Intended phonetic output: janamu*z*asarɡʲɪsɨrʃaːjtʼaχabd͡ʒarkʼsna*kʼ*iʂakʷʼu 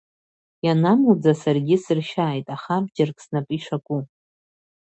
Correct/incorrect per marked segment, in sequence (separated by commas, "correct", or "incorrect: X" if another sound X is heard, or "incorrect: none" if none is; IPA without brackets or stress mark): incorrect: d͡z, incorrect: pʼ